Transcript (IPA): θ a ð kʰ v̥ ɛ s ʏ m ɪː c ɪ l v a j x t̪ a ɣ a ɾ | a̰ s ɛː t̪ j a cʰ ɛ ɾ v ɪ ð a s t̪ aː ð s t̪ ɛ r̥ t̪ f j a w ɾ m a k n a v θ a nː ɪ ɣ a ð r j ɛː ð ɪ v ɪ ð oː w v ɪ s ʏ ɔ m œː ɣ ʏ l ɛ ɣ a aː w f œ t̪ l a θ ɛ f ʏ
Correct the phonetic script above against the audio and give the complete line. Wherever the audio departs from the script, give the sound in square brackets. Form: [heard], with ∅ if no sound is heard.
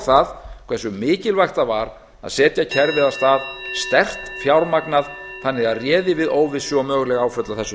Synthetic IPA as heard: θ a ð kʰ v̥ ɛ s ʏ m ɪː c ɪ l v a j x t̪ a [v] a ɾ | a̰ s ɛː t̪ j a cʰ ɛ ɾ v ɪ ð a s t̪ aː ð s t̪ ɛ r̥ t̪ f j a w ɾ m a k n a [ð] θ a nː ɪ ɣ a ð r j ɛː ð ɪ v ɪ ð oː w v ɪ s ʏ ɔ m œː ɣ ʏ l ɛ ɣ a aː w f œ t̪ l a θ ɛ [s] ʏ